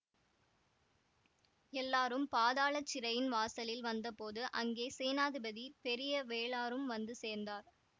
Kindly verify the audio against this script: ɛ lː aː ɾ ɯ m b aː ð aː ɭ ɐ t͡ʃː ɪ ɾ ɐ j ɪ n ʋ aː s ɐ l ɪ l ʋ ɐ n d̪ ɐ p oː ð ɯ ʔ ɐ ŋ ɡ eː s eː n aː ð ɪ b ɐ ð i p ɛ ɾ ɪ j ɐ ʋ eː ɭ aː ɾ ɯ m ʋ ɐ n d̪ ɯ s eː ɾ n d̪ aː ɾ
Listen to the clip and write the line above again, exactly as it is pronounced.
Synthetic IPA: ɛ lː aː ɾ ɯ m p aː ð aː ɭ ɐ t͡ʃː ɪ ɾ ɐ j ɪ n ʋ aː s ɐ l ɪ l ʋ ɐ n d̪ ɐ p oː ð ɯ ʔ ɐ ŋ ɡ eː s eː n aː ð ɪ b ɐ ð i p ɛ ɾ ɪ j ɐ ʋ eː ɭ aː ɾ ɯ m ʋ ɐ n d̪ ɯ s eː ɾ n d̪ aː ɾ

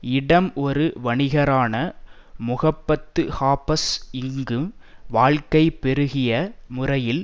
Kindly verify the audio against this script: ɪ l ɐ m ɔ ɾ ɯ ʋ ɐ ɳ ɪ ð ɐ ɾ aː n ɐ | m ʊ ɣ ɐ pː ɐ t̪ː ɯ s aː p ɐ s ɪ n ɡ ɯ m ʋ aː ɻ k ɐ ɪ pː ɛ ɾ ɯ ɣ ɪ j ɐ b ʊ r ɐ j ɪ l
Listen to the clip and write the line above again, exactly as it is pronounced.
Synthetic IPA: ɪ ɽ ɐ m ɔ ɾ ɯ ʋ ɐ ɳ ɪ ɣ ɐ ɾ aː n ɐ | m ʊ ɣ ɐ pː ɐ t̪ː ɯ h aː p ɐ s ɪ ŋ ɡ ɯ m ʋ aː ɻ k ɐ ɪ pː ɛ ɾ ɯ ɣ ɪ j ɐ m ʊ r ɐ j ɪ l

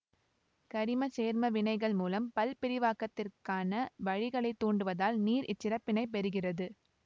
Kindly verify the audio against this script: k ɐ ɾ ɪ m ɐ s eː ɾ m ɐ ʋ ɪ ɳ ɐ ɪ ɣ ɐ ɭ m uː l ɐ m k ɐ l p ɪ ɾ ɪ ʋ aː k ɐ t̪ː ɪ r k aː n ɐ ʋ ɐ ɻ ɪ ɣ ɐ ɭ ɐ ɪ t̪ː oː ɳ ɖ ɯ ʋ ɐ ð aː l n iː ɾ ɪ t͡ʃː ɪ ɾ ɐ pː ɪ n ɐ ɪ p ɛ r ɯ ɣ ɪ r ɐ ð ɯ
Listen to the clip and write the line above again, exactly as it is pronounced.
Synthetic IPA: k ɐ ɾ ɪ m ɐ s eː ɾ m ɐ ʋ ɪ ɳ ɐ ɪ ɣ ɐ ɭ m uː l ɐ m p ɐ l p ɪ ɾ ɪ ʋ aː k ɐ t̪ː ɪ r k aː n ɐ ʋ ɐ ɻ ɪ ɣ ɐ ɭ ɐ ɪ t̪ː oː ɳ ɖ ɯ ʋ ɐ ð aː l n iː ɾ ɪ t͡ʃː ɪ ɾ ɐ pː ɪ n ɐ ɪ p ɛ ɾ ɯ ɣ ɪ r ɐ ð ɯ

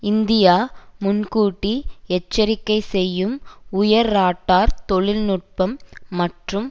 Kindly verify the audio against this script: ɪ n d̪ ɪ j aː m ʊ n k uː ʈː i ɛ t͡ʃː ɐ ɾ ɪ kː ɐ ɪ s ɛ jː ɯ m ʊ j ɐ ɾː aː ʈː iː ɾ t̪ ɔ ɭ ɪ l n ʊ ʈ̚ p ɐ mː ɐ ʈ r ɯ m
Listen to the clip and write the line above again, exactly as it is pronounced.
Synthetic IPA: ɪ n d̪ ɪ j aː m ʊ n k uː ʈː i ɛ t͡ʃː ɐ ɾ ɪ kː ɐ ɪ s ɛ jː ɯ m ʊ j ɐ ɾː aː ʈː aː ɾ t̪ ɔ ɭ ɪ l n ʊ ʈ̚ p ɐ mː ɐ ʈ r ɯ m

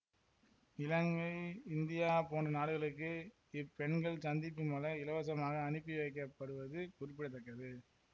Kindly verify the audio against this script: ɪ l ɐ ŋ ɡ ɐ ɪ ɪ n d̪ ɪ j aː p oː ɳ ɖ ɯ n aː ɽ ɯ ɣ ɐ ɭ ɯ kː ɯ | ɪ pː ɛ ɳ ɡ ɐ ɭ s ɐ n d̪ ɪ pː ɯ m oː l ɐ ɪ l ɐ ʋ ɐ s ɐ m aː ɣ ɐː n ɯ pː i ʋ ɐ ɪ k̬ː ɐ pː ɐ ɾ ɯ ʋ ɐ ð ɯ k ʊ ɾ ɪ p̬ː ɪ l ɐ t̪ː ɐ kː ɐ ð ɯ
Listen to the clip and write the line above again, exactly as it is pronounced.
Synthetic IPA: ɪ l ɐ ŋ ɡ ɐ ɪ ɪ n d̪ ɪ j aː p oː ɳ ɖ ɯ n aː ɽ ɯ ɣ ɐ ɭ ɯ kː ɯ | ɪ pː ɛ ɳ ɡ ɐ ɭ s ɐ n d̪ ɪ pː ɯ m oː l ɐ ɪ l ɐ ʋ ɐ s ɐ m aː ɣ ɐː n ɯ pː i ʋ ɐ ɪ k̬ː ɐ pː ɐ ɽ ɯ ʋ ɐ ð ɯ k ʊ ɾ ɪ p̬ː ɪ ɽ ɐ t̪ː ɐ kː ɐ ð ɯ

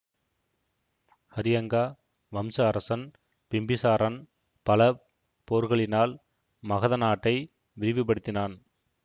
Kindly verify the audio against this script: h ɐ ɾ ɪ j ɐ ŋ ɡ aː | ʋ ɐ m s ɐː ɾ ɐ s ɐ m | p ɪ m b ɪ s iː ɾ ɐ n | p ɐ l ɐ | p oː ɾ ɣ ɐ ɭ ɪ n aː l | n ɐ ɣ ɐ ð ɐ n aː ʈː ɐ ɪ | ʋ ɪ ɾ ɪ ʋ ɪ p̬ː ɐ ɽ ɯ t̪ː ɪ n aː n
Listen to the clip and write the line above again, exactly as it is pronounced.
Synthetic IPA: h ɐ ɾ ɪ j ɐ ŋ ɡ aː | ʋ ɐ m s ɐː ɾ ɐ s ɐ n | p ɪ m b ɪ s aː ɾ ɐ n | p ɐ l ɐ | p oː ɾ ɣ ɐ ɭ ɪ n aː l | m ɐ ɣ ɐ ð ɐ n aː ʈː ɐ ɪ | ʋ ɪ ɾ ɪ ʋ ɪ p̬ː ɐ ɽ ɯ t̪ː ɪ n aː n

